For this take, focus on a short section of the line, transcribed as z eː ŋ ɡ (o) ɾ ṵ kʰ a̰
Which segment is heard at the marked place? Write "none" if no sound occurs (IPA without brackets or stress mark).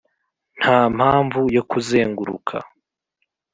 u